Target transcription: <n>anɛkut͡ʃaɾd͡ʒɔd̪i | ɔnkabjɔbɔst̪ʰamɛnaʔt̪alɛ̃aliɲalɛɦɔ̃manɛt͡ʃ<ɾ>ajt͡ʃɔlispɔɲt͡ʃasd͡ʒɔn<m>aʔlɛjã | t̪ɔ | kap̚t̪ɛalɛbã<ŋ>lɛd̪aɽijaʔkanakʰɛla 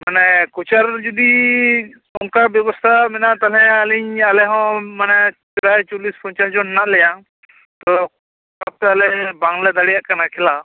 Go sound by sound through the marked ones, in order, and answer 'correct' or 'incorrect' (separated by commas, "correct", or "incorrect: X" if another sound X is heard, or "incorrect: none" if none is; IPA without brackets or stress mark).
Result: incorrect: m, correct, incorrect: n, correct